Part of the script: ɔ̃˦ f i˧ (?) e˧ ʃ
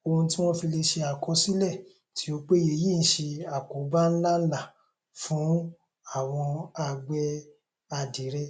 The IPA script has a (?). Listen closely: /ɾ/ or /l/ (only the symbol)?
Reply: l